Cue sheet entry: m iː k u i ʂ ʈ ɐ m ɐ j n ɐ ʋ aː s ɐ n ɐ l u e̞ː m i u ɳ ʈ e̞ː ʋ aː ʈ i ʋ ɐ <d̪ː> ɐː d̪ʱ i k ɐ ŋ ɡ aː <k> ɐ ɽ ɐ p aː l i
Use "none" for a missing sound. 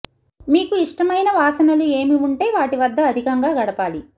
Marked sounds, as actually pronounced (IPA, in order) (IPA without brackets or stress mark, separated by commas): d̪ː, ɡ